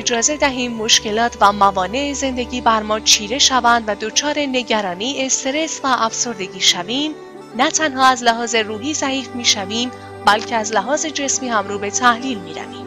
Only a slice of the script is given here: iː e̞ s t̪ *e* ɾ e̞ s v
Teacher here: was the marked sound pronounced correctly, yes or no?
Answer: yes